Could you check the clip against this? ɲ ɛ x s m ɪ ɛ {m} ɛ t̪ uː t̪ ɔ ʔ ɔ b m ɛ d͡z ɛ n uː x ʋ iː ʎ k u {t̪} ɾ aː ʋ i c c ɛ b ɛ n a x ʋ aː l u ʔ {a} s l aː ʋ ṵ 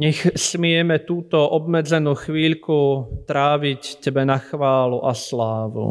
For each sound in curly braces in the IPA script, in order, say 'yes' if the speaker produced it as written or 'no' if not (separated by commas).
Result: yes, yes, yes